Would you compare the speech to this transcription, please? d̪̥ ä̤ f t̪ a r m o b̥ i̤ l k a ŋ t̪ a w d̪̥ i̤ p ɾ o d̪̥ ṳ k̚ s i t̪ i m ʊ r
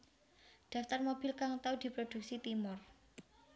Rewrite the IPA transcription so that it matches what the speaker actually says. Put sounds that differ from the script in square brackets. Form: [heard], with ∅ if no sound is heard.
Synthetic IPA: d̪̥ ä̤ f t̪ a r m o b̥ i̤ l k a ŋ t̪ a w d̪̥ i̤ p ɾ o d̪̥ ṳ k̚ s i t̪ i m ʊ r